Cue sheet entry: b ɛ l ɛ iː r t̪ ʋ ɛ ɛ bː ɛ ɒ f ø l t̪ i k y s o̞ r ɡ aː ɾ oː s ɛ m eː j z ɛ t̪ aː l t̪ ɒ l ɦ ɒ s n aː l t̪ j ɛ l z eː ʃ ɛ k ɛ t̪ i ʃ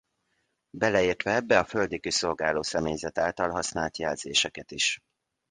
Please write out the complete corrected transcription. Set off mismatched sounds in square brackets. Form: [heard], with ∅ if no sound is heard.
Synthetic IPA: b ɛ l ɛ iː r t̪ ʋ ɛ ɛ bː ɛ ɒ f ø l [d̪] i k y s o̞ [l] ɡ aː [l] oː s ɛ m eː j z ɛ t̪ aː l t̪ ɒ l ɦ ɒ s n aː l t̪ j ɛ l z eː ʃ ɛ k ɛ t̪ i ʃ